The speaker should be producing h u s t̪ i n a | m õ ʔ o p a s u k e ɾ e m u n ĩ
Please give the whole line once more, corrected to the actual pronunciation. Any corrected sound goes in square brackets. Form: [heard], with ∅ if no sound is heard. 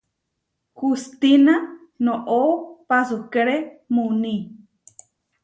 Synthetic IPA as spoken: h u s t̪ i n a | [n] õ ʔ o p a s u k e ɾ e m u n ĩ